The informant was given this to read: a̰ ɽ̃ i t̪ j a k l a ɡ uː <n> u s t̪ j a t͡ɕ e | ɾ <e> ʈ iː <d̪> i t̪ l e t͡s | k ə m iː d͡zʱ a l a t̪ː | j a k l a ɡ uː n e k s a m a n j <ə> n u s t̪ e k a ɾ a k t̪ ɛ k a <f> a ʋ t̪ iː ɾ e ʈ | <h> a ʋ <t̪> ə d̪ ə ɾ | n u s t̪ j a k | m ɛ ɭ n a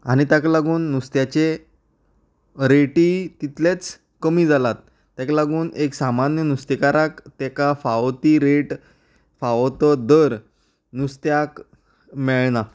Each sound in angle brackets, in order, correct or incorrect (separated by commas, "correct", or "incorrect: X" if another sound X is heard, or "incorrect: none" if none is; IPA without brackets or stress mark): incorrect: nː, correct, incorrect: t̪, correct, correct, incorrect: f, correct